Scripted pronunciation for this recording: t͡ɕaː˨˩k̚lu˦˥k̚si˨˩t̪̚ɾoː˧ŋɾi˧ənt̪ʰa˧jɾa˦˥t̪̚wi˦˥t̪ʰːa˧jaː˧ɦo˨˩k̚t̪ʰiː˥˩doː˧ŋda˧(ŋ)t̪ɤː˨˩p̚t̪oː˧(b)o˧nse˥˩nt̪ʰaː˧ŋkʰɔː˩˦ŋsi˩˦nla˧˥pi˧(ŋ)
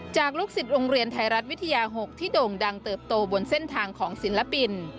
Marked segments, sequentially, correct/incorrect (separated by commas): correct, correct, incorrect